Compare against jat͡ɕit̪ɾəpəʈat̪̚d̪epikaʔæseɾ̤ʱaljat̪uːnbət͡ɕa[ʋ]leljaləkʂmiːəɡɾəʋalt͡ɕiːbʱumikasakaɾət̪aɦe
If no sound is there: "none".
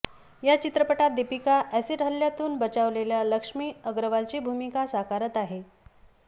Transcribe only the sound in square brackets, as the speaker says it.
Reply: ʋ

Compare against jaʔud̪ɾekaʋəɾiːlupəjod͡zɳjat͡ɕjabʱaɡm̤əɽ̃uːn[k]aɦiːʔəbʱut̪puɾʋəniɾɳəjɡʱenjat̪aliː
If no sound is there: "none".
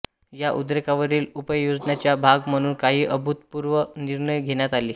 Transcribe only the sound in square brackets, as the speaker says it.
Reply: k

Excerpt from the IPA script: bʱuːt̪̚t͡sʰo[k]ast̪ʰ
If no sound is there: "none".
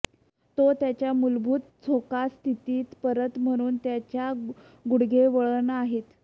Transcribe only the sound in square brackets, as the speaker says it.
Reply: k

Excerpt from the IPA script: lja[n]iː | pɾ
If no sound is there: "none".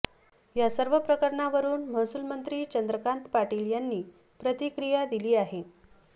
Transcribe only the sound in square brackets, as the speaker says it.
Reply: nː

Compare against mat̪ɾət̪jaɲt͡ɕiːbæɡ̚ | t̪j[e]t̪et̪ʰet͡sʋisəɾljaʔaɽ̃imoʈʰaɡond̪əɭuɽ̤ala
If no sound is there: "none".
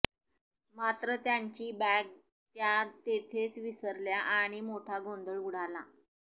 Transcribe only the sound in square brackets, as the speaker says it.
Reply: a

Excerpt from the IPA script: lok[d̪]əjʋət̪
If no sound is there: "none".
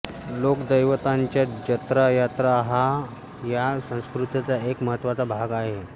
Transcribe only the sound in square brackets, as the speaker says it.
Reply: d̪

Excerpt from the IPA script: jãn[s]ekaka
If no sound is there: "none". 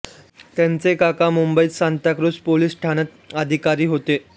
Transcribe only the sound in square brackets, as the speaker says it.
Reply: t͡s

